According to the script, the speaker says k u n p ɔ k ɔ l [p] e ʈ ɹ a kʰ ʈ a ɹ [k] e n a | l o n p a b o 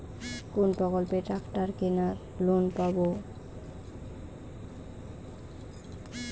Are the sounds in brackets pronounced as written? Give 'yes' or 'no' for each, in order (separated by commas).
yes, yes